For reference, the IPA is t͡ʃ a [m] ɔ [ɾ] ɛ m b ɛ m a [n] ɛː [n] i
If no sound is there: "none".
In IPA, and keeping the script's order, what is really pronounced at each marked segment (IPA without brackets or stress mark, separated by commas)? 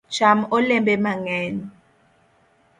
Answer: m, l, ŋ, n